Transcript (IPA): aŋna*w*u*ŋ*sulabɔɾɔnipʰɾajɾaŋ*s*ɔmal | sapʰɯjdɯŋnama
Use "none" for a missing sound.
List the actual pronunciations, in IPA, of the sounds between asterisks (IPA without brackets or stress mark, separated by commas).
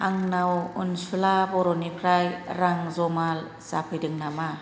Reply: w, n, z